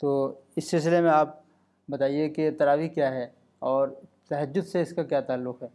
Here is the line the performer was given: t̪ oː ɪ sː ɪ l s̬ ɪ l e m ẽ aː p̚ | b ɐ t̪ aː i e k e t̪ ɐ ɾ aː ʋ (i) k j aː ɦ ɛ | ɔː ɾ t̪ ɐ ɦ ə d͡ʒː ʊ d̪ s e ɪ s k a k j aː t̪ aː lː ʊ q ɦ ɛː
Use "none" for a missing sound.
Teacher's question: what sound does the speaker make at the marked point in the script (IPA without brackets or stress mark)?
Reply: i